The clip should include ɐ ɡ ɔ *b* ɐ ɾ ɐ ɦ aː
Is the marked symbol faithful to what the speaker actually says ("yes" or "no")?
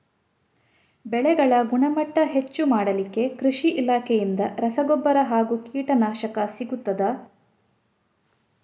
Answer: no